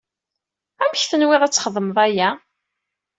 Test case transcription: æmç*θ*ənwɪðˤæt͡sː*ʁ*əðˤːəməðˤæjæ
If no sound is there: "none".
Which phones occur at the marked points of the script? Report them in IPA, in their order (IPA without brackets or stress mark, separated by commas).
θ, χ